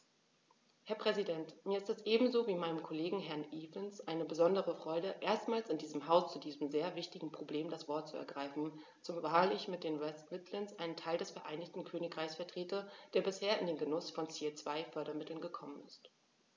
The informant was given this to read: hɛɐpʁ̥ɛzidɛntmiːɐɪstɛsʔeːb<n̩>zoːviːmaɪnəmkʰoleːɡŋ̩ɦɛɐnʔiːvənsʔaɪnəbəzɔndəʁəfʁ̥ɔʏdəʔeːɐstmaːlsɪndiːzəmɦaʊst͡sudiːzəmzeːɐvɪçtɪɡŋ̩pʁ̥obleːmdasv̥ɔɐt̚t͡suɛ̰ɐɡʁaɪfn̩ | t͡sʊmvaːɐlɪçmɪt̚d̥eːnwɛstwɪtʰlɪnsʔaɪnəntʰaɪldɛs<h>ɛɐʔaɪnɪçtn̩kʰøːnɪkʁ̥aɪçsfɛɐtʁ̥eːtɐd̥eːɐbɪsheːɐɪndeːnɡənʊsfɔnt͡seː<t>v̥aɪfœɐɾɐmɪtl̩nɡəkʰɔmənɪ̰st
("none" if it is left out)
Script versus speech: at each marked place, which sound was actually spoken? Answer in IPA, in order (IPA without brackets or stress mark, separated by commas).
m̩, f, t͡s